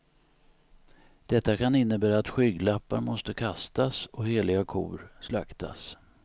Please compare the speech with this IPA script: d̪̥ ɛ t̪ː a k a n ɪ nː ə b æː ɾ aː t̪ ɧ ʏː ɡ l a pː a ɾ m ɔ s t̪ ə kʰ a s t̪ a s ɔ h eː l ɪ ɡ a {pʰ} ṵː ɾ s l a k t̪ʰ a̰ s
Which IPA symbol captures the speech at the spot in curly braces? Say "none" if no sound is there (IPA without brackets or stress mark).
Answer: kʰ